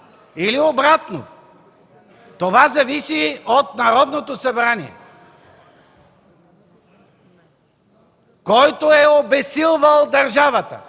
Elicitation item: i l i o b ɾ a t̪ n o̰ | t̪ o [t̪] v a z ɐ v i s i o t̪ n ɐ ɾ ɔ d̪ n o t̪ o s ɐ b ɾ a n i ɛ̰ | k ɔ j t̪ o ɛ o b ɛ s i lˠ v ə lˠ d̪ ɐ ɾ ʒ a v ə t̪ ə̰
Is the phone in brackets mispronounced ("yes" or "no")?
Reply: yes